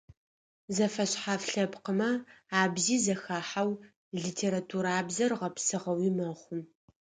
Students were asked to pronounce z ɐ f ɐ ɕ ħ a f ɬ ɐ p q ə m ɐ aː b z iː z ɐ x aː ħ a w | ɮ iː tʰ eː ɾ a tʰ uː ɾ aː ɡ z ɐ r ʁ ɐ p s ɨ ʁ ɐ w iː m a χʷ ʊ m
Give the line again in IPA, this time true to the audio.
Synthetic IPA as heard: z ɐ f ɐ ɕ ħ a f ɬ ɐ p q ə m ɐ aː b z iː z ɐ x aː ħ a w | ɮ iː tʰ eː ɾ a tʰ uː ɾ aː b z ɐ r ʁ ɐ p s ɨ ʁ ɐ w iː m ɐ χʷ ʊ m